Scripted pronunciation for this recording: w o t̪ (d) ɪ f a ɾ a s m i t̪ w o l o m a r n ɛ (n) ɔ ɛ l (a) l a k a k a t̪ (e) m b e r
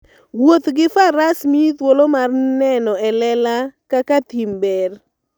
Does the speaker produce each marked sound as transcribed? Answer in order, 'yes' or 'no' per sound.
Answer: no, yes, no, no

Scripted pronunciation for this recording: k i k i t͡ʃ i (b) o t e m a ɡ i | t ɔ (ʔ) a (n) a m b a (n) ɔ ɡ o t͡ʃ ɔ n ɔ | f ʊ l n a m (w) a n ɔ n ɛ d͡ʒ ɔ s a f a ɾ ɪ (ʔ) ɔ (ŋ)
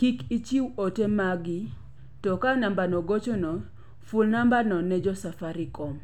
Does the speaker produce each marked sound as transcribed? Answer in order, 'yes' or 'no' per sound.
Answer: no, no, yes, yes, no, no, no

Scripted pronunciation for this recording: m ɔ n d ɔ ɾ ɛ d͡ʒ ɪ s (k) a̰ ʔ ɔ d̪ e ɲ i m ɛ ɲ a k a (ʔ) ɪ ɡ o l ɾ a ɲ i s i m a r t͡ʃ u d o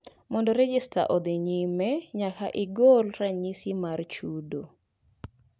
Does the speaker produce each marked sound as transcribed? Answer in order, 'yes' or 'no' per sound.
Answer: no, yes

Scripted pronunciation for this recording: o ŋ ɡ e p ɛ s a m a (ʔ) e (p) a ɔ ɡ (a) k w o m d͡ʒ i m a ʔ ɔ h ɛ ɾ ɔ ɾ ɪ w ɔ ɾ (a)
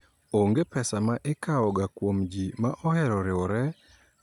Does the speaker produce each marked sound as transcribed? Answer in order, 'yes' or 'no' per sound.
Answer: yes, no, yes, no

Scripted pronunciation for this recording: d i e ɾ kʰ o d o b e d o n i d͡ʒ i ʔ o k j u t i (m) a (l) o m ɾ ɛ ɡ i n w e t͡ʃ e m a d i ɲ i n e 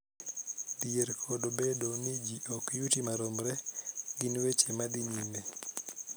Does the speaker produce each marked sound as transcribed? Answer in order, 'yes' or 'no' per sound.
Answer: yes, no

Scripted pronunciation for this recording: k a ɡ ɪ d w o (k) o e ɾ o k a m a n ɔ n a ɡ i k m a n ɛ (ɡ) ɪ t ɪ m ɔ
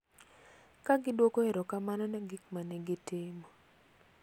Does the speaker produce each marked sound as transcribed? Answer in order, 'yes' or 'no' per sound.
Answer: yes, yes

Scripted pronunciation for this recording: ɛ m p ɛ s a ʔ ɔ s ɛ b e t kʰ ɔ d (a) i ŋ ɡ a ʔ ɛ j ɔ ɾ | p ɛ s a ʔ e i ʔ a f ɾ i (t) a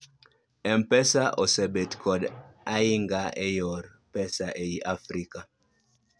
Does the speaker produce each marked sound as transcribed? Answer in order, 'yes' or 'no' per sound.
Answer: yes, no

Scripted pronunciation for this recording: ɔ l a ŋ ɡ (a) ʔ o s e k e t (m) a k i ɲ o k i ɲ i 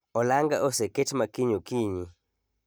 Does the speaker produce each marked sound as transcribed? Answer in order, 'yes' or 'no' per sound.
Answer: yes, yes

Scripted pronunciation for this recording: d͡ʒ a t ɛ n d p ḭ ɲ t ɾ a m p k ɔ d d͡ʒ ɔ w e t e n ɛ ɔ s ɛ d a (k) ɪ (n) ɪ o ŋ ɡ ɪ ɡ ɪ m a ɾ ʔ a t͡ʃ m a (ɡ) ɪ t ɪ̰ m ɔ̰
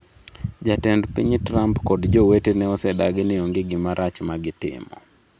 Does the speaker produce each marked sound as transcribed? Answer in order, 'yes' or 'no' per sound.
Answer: no, yes, yes

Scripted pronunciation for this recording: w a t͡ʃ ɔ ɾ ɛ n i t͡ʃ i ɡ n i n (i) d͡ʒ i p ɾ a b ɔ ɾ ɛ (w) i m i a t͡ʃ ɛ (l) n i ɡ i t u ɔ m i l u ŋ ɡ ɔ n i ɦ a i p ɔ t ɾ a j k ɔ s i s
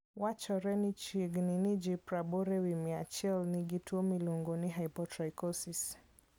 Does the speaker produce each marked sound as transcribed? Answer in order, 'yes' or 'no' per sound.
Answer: yes, yes, yes

